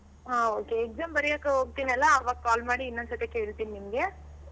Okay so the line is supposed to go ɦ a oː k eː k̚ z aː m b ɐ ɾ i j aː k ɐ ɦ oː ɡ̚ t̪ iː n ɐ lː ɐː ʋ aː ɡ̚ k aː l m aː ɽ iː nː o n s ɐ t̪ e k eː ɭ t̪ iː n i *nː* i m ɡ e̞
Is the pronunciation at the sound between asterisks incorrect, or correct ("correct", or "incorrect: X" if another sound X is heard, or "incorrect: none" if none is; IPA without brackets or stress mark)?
incorrect: n